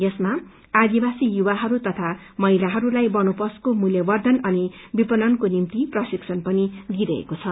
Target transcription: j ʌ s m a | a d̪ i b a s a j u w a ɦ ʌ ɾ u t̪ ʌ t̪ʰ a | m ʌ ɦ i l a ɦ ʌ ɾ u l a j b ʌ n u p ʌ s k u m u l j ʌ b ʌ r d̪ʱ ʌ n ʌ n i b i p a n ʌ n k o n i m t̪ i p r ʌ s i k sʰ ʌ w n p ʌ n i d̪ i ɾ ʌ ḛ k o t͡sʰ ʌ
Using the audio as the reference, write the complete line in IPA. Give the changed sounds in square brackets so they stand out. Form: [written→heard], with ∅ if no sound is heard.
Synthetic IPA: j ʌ s m a | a d̪ i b a s [a→i] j u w a ɦ ʌ ɾ u t̪ ʌ t̪ʰ a | m ʌ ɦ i l a ɦ ʌ ɾ u l a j b ʌ n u p ʌ s k [u→o] m u l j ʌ b ʌ r d̪ʱ ʌ n ʌ n i b i p [a→ʌ] n ʌ n k o n i m t̪ i p r ʌ s i k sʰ ʌ [w→∅] n p ʌ n i d̪ i ɾ ʌ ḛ k o t͡sʰ ʌ